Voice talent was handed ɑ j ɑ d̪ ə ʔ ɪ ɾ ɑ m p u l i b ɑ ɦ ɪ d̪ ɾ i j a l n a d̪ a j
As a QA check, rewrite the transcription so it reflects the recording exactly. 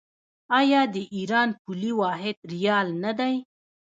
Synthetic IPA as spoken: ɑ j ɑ d̪ ə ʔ i ɾ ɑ n p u l i w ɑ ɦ ɪ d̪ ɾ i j ɑ l n a d̪ a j

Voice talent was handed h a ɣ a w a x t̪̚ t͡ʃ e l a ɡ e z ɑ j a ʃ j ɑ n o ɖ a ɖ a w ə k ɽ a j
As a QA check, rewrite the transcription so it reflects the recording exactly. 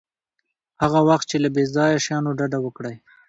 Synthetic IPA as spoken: h a ɣ a w a x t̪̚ t͡ʃ e l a b e z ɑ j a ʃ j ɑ n o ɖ a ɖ a w ə k ɽ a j

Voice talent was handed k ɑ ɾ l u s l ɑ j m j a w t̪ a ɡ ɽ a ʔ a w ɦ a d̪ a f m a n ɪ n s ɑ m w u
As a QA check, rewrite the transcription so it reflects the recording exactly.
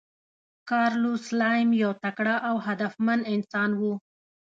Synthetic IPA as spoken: k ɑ ɾ l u s l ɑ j m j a w t̪ a k ɽ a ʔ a w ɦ a d̪ a f m a n ɪ n s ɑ n w u

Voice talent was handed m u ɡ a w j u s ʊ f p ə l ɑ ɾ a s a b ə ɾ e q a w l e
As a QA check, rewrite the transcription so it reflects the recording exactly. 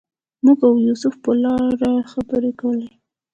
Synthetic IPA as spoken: m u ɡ a w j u s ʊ f p ə l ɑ ɾ a x a b ə ɾ e k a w l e

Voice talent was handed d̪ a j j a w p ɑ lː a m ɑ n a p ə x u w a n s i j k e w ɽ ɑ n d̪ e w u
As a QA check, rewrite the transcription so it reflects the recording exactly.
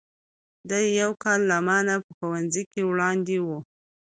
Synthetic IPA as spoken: d̪ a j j a w k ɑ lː a m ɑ n a p ə x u w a n z i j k e w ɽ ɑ n d̪ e w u

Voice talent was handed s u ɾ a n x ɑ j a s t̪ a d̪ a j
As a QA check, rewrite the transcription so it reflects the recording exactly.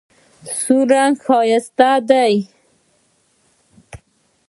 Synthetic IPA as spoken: s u ɾ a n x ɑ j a s t̪ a d̪ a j

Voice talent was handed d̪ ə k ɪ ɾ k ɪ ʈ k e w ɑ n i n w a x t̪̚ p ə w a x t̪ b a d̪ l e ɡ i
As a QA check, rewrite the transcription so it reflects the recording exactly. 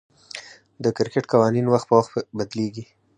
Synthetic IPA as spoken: d̪ ə k ɪ ɾ k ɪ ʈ k a w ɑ n i n w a x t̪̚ p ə w a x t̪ b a d̪ l e ɡ i

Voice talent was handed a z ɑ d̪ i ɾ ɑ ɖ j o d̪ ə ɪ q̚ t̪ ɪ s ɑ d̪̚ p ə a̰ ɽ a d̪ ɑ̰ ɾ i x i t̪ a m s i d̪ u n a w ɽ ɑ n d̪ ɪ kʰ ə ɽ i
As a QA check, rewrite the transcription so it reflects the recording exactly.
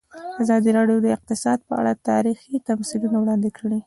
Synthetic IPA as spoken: a z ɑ d̪ i ɾ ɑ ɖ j o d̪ ə ɪ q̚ t̪ ɪ s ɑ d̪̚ p ə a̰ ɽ a t̪ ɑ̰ ɾ i x i t̪ a m s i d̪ u n a w ɽ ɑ n d̪ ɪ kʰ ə ɽ i

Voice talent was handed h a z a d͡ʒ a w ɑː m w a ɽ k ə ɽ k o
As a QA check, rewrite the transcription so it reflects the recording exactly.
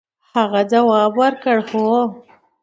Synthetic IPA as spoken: h a ɣ a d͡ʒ a w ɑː b w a ɾ k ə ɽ x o

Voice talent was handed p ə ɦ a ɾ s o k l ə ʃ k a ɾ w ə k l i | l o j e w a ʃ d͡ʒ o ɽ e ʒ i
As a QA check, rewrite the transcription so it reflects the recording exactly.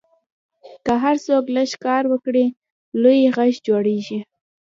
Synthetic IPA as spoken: k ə ɦ a ɾ s o k l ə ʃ k ɑ ɾ w ə k ɽ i | l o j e ɣ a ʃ d͡ʒ o ɽ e ʒ i

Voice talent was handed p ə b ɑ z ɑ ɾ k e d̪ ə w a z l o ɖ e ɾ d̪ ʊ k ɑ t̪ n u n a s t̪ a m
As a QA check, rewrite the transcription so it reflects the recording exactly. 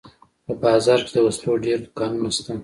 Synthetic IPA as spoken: p ə b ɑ z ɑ ɾ k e d̪ ə w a s l o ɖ e ɾ d̪ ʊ k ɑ n u n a s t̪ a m

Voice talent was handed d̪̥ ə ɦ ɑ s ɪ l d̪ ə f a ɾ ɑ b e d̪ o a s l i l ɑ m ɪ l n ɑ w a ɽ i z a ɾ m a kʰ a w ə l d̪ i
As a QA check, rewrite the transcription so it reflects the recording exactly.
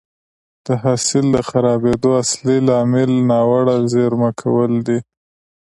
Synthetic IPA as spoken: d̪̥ ə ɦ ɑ s ɪ l d̪ ə x a ɾ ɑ b e d̪ o a s l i l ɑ m ɪ l n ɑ w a ɽ a z e ɾ m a kʰ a w ə l d̪ i

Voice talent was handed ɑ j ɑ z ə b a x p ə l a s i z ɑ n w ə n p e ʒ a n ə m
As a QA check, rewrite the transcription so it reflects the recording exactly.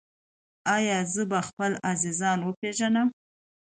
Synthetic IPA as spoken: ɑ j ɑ z ə b a x p ə l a z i z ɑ n w ə p e ʒ a n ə m

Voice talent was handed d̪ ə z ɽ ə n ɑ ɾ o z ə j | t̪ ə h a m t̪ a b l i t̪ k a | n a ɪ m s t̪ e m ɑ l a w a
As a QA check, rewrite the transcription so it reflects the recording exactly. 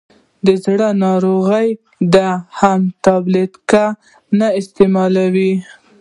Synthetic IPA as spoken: d̪ ə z ɽ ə n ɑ ɾ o ɣ ə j | d̪ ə h a m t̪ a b l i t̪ k a | n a ɪ s t̪ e m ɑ l a w i

